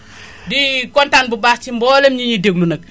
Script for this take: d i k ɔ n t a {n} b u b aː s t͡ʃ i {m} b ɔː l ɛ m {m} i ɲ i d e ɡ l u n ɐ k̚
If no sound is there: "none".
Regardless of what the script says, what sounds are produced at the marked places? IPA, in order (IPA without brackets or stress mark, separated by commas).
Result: n, m, ɲ